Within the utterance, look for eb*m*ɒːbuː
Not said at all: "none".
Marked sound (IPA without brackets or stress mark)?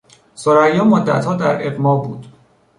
m